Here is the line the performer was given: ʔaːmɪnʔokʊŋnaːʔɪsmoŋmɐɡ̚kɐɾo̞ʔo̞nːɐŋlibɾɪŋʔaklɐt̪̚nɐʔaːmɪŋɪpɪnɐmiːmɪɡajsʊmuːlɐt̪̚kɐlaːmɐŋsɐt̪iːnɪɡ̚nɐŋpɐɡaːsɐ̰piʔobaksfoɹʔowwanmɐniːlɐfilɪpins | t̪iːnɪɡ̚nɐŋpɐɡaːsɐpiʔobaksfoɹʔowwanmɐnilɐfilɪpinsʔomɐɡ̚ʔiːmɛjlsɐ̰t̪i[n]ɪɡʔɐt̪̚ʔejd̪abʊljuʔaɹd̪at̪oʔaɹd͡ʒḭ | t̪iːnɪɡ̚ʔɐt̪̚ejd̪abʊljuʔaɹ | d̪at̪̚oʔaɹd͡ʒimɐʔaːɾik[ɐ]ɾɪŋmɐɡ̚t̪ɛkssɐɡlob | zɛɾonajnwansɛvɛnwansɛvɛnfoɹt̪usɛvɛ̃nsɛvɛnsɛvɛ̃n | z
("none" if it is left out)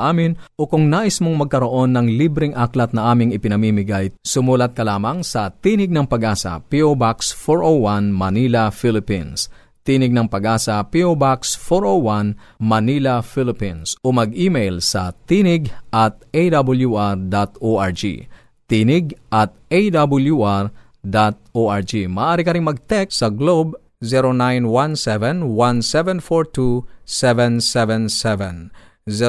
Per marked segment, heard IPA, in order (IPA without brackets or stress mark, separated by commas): n, ɐ